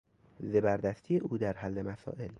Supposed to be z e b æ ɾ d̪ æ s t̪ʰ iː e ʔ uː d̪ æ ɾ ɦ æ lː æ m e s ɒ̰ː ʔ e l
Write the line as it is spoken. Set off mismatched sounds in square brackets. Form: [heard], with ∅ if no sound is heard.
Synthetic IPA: z e b æ ɾ d̪ æ s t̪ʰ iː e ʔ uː d̪ æ ɾ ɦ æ lː [e] m [æ] s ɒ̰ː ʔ e l